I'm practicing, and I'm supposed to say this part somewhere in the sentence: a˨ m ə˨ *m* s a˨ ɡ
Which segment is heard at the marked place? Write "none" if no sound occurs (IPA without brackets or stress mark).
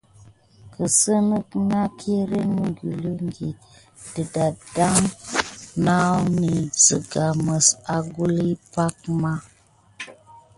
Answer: none